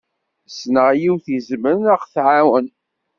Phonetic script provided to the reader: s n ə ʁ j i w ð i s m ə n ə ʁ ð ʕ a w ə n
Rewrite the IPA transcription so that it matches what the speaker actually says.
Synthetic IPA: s n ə ʁ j i w θ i z m ə n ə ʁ θ ʕ a w ə n